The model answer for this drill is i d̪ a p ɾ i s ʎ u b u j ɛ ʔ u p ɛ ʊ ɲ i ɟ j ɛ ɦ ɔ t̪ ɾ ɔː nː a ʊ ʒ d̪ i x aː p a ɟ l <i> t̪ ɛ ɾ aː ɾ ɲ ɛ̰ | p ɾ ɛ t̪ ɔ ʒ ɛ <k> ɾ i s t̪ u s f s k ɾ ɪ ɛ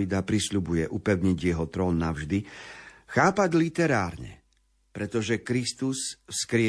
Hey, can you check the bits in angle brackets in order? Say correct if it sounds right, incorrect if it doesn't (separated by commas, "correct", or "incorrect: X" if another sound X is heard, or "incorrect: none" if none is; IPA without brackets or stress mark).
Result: correct, correct